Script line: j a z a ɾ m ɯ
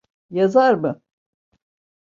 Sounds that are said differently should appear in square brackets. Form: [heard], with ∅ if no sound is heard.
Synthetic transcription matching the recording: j a z a ɾ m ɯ